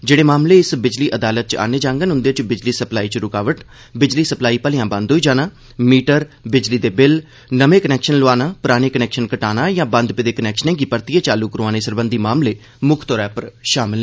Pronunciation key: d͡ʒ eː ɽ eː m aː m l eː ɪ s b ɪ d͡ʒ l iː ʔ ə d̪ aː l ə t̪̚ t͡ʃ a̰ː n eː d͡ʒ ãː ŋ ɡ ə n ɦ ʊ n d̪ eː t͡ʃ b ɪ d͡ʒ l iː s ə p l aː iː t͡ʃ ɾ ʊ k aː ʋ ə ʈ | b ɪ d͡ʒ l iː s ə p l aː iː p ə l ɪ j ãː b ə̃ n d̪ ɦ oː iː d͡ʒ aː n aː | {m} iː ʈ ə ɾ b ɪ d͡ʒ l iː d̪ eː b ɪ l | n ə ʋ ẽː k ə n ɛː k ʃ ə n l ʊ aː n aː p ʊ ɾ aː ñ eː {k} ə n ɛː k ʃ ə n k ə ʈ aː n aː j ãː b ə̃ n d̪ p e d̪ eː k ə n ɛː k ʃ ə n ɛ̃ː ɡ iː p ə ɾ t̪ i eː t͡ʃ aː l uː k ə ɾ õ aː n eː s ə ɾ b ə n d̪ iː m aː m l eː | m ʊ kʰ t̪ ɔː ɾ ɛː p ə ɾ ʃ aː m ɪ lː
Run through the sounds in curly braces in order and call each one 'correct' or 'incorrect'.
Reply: correct, correct

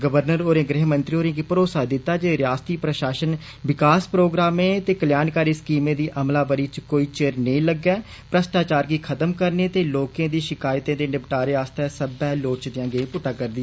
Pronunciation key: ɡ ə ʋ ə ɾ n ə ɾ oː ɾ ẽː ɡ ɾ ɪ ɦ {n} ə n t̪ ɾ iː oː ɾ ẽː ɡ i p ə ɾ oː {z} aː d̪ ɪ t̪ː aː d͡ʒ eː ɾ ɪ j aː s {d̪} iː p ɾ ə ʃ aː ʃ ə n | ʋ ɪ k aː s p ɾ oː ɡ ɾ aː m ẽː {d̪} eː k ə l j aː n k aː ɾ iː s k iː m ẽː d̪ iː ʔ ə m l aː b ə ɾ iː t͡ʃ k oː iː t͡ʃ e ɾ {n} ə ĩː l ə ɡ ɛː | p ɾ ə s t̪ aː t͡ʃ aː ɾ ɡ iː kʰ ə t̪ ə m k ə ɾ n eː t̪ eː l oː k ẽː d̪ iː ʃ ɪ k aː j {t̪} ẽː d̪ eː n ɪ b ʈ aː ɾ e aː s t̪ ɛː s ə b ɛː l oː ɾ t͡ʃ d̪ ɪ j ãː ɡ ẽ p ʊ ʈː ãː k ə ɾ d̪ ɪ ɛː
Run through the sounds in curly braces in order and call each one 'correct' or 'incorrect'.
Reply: incorrect: m, incorrect: s, incorrect: t̪, incorrect: t̪, correct, correct

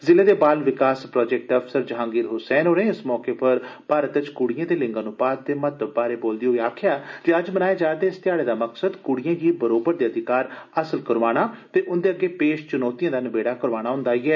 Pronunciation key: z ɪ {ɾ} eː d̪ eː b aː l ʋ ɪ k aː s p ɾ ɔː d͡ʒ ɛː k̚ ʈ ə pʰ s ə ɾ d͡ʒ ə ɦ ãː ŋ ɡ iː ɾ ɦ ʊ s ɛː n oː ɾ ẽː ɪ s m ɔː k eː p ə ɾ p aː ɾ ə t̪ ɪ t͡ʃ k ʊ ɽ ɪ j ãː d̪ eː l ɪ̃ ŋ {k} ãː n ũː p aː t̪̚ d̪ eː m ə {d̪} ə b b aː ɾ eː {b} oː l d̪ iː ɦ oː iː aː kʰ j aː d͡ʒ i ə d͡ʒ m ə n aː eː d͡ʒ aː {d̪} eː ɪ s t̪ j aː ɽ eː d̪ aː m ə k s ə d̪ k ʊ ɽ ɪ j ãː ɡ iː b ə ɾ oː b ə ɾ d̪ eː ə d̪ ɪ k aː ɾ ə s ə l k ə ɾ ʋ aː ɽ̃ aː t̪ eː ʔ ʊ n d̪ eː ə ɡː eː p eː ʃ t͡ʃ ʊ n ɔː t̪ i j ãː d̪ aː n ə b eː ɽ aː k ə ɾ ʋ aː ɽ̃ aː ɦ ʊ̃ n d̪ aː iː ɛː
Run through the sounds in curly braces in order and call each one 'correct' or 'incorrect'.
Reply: incorrect: l, incorrect: ɡ, incorrect: t̪, correct, correct

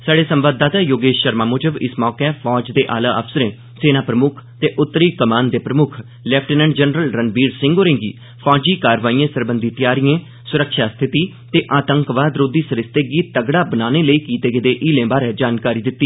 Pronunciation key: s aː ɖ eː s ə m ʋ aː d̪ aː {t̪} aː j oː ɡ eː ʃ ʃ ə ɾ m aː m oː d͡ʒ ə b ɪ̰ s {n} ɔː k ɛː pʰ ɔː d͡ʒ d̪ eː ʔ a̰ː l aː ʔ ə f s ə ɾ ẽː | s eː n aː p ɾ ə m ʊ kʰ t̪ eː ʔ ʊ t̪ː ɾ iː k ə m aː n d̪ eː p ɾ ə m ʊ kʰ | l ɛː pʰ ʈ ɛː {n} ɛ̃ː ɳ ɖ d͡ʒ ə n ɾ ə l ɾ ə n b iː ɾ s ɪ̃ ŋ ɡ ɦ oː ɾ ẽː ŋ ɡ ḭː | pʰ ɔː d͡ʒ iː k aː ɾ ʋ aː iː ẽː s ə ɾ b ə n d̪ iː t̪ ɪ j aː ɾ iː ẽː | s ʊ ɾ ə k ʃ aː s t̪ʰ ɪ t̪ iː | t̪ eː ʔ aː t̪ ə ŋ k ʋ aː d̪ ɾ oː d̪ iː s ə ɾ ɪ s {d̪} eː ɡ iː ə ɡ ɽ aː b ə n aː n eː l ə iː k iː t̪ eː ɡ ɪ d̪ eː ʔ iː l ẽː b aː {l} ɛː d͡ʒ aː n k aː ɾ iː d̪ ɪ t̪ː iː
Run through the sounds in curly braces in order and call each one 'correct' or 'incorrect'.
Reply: correct, incorrect: m, correct, incorrect: t̪, incorrect: ɾ

